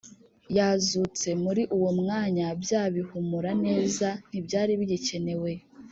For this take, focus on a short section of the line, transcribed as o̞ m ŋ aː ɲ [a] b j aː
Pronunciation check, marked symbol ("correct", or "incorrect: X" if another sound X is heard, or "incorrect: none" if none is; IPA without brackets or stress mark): correct